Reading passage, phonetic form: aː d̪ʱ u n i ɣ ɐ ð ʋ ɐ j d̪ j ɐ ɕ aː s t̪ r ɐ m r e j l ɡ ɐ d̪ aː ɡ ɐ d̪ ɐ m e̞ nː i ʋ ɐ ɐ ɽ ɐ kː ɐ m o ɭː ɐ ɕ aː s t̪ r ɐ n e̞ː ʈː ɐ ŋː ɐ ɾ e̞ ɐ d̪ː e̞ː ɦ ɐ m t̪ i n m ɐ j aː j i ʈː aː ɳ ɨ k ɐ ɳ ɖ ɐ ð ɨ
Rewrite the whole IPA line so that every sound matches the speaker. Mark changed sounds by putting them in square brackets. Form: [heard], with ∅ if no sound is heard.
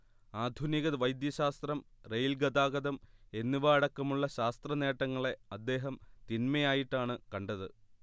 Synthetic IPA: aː d̪ʱ u n i ɣ ɐ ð ʋ ɐ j d̪ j ɐ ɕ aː s t̪ r ɐ m r e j l ɡ ɐ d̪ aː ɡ ɐ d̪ ɐ m e̞ nː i ʋ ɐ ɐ ɽ ɐ kː ɐ m [u] ɭː ɐ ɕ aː s t̪ r ɐ n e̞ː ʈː ɐ ŋː ɐ [ɭ] e̞ ɐ d̪ː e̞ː ɦ ɐ m t̪ i n m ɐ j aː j i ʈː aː ɳ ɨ k ɐ ɳ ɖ ɐ ð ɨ